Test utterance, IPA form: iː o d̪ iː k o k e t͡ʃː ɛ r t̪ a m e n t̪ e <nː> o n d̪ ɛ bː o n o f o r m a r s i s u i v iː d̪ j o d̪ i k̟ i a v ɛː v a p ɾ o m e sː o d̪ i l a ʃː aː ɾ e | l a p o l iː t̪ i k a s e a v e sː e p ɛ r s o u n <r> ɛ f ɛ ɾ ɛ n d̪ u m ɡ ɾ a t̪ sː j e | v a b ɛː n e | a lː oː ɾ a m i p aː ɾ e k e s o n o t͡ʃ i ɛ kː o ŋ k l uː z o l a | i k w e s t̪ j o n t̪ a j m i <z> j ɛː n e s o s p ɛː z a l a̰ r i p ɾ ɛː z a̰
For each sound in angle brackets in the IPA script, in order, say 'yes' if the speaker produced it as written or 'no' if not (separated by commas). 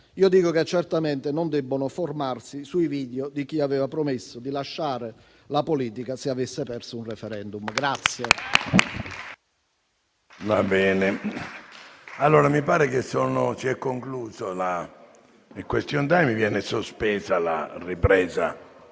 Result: no, yes, no